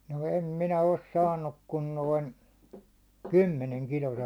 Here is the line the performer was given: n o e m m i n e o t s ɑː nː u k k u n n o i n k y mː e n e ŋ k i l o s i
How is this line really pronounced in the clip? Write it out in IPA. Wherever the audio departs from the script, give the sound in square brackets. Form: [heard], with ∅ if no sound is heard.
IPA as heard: n o e m m i n [æ] o [s] s ɑː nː u k k u n n o i n k y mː e n e ŋ k i l o s [e]